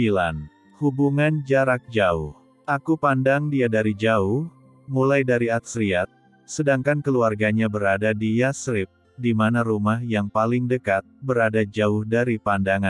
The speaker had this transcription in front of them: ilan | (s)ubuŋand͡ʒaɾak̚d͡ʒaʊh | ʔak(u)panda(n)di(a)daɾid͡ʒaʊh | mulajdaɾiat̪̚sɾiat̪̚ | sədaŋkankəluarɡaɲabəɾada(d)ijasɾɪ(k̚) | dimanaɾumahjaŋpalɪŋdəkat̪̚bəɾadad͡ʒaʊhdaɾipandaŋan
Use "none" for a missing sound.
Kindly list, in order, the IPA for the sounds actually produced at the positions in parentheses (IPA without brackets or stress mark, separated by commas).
h, u, ŋ, a, d, p̚